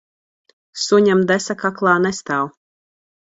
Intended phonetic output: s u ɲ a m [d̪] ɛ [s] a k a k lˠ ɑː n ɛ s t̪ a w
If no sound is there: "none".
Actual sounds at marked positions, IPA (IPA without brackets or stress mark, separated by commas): d̪, s